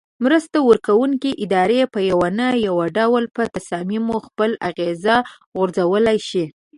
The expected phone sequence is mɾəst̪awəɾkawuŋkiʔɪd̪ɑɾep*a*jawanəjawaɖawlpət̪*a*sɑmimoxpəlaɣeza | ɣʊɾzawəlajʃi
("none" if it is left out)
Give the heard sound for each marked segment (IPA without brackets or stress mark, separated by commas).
ə, a